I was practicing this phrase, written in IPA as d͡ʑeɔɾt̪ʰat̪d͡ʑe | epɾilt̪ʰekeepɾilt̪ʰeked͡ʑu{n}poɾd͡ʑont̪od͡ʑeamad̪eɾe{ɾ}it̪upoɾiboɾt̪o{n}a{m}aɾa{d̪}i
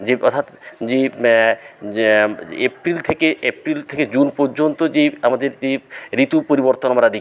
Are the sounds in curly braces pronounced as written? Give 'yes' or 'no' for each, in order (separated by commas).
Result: yes, yes, yes, yes, yes